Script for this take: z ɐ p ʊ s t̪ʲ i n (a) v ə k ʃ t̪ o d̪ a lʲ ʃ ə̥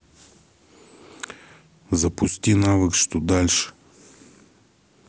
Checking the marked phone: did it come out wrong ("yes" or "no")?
no